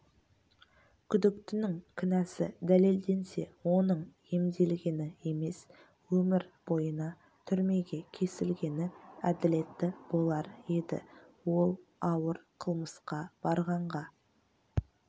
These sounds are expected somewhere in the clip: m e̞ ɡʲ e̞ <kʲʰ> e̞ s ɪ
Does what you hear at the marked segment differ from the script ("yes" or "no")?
no